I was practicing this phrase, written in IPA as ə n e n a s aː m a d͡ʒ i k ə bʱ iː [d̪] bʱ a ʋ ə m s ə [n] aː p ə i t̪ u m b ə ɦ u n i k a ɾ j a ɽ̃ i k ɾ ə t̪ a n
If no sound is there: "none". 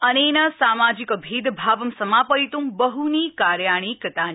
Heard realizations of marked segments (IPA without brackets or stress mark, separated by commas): d̪, m